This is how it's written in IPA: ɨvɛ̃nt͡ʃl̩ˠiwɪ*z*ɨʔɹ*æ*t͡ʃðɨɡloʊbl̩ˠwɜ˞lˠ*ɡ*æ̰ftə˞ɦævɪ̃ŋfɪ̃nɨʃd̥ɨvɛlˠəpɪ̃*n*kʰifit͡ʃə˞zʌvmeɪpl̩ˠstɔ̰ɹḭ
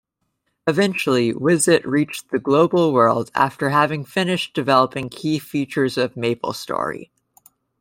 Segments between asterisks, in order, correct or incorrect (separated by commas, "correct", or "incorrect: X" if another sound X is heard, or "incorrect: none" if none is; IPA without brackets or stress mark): correct, incorrect: i, incorrect: d, incorrect: ŋ